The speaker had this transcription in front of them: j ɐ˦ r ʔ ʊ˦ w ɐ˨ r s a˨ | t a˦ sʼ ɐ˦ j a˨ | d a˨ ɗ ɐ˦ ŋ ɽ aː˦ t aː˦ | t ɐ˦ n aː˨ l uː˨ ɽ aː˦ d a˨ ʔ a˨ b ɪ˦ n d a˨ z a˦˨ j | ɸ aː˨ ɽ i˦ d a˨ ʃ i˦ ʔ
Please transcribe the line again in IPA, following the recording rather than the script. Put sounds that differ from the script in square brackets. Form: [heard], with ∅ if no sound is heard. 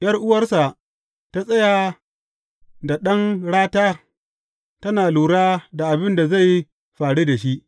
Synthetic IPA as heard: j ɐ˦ r ʔ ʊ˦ w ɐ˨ r s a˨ | t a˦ sʼ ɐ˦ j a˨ | d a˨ ɗ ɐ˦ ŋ ɽ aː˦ t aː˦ | t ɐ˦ n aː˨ l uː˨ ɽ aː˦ d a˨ ʔ a˨ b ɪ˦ n d a˨ z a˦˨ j | ɸ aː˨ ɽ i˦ d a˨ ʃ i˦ ʔ

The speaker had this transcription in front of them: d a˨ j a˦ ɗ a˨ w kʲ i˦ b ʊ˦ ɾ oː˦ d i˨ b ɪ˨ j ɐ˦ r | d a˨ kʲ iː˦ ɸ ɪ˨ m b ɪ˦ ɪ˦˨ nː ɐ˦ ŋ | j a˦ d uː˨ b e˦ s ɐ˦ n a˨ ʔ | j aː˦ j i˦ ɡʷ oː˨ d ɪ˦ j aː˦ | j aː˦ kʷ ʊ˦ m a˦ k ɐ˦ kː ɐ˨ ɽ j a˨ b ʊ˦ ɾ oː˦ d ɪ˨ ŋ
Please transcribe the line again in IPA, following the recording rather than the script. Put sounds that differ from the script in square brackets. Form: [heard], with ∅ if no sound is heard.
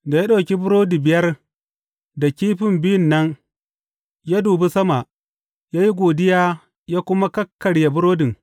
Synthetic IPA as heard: d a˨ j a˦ ɗ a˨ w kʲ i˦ b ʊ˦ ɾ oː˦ d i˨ b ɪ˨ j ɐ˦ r | d a˨ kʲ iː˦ ɸ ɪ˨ m b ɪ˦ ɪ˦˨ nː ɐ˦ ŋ | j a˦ d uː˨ b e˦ s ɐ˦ [m] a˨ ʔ | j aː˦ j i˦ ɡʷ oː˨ d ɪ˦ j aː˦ | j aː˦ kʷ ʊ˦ m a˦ k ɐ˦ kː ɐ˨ ɽ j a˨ b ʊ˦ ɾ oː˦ d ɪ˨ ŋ

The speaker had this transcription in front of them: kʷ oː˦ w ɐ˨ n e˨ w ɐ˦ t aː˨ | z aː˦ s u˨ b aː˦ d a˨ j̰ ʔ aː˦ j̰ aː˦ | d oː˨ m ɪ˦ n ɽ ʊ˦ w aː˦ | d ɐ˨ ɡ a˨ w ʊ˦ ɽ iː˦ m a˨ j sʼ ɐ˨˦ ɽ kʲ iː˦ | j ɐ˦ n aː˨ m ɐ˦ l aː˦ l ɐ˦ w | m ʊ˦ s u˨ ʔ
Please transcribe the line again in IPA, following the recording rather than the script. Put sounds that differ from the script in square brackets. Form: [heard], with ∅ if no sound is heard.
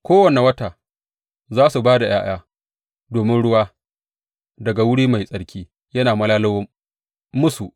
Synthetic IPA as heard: kʷ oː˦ w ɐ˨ n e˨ w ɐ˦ t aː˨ | z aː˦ s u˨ b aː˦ d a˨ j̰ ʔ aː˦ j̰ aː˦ | d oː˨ m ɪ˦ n ɽ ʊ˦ w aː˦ | d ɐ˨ ɡ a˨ w ʊ˦ ɽ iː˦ m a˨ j sʼ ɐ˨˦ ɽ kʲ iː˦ | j ɐ˦ n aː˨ m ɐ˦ l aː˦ l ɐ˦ w | m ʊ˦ s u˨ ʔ

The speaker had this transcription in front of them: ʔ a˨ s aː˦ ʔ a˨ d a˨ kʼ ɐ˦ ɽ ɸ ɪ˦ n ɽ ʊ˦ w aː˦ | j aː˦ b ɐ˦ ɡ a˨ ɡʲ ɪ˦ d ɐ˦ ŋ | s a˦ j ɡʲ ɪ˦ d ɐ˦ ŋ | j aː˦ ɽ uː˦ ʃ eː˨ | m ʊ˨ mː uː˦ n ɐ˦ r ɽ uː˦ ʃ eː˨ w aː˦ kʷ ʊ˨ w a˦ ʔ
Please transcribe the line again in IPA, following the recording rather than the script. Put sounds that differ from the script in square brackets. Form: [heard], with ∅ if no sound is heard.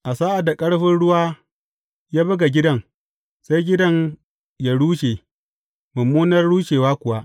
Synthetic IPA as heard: ʔ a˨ s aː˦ ʔ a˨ d a˨ kʼ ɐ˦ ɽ ɸ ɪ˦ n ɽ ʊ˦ w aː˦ | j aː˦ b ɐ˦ ɡ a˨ ɡʲ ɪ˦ d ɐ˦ ŋ | s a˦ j ɡʲ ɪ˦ d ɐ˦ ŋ | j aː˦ ɽ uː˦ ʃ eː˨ | m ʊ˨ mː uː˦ n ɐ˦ r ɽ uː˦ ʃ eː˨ w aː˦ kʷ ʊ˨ w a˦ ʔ

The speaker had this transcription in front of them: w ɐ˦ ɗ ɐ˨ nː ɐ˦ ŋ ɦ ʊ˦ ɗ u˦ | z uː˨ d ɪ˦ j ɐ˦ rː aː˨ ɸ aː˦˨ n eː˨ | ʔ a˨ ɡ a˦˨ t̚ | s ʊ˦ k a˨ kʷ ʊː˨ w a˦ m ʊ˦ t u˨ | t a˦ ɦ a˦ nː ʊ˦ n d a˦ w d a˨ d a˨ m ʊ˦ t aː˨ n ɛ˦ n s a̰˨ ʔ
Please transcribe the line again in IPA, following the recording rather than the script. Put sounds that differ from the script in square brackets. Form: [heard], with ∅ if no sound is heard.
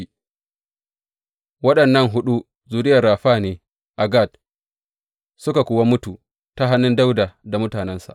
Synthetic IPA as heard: w ɐ˦ ɗ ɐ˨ nː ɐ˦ ŋ ɦ ʊ˦ ɗ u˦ | z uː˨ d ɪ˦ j [ɐ˨] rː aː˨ ɸ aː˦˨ n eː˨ | ʔ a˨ ɡ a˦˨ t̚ | s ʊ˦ k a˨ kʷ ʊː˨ w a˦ m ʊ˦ t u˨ | t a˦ ɦ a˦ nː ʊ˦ n d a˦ w d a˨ d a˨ m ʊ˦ t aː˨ n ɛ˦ n s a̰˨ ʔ

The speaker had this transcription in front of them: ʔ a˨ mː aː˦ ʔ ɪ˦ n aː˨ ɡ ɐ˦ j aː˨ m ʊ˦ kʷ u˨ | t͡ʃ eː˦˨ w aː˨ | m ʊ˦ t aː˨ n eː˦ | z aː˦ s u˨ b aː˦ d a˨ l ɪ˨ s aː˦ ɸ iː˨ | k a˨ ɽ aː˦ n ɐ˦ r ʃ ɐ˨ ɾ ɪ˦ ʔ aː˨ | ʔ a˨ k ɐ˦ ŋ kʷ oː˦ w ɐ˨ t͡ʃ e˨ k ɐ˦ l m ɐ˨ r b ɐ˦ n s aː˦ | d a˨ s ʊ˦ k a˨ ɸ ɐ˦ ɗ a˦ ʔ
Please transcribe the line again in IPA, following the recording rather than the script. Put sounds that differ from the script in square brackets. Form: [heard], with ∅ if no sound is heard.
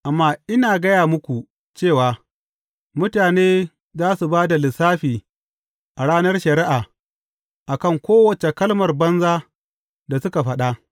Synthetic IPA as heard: ʔ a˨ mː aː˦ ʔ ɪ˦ n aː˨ ɡ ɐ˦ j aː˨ m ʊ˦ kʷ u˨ | t͡ʃ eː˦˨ w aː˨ | m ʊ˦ t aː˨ n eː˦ | z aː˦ s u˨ b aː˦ d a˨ l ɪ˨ s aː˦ ɸ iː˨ | [ʔ] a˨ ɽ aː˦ n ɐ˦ r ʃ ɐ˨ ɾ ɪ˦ ʔ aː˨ | ʔ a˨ k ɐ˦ ŋ kʷ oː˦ w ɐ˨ t͡ʃ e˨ k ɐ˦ l m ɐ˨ r b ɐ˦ n [z] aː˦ | d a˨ s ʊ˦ k a˨ ɸ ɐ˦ ɗ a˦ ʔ

